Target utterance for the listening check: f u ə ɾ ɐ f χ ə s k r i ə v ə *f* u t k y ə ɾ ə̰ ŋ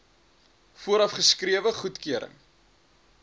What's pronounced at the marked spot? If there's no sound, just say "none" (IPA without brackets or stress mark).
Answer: χ